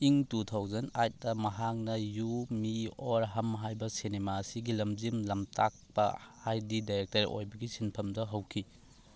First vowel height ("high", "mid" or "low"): high